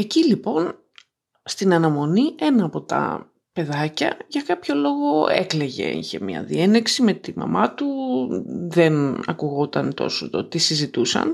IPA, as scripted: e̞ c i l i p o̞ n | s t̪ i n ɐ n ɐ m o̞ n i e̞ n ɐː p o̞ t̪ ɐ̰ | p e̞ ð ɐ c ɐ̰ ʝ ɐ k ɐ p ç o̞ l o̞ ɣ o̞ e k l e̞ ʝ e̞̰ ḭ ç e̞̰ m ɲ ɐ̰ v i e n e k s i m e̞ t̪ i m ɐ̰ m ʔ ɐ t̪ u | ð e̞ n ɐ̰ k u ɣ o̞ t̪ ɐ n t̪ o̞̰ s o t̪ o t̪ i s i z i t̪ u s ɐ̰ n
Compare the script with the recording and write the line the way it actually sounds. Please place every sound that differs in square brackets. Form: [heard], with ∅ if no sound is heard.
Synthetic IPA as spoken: e̞ c i l i p o̞ n | s t̪ i n ɐ n ɐ m o̞ n i e̞ n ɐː p o̞ t̪ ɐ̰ | p e̞ ð ɐ c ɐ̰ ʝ ɐ k ɐ p ç o̞ l o̞ ɣ o̞ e k l e̞ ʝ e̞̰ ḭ ç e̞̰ m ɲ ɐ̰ [ð] i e n e k s i m e̞ t̪ i m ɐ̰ m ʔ ɐ t̪ u | ð e̞ n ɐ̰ k u ɣ o̞ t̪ ɐ n t̪ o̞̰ s o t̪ o t̪ i s i z i t̪ u s ɐ̰ n